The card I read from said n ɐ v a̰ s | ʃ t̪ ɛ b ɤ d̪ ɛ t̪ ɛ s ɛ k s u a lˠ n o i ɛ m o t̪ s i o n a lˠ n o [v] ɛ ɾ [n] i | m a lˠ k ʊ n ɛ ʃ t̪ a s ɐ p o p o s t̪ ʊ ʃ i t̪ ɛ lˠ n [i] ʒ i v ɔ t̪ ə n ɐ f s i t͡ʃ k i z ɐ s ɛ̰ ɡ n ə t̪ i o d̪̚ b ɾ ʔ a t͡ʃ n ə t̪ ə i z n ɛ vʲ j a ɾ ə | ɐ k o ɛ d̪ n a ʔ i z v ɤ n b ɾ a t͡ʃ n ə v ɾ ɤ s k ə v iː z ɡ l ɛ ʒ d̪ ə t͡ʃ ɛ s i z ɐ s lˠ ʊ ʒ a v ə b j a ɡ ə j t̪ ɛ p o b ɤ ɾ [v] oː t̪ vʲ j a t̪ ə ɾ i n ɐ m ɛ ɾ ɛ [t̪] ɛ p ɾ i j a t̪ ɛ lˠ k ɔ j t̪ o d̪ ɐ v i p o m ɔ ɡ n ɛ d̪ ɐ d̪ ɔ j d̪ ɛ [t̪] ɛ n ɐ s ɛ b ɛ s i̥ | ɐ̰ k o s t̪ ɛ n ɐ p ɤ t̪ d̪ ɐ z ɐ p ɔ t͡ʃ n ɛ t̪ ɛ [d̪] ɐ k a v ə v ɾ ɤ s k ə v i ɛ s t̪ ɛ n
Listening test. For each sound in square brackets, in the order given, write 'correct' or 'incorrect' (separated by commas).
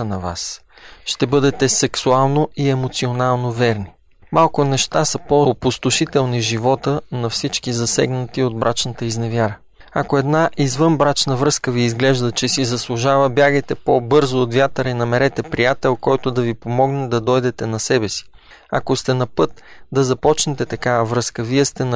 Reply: correct, correct, correct, incorrect, correct, correct, incorrect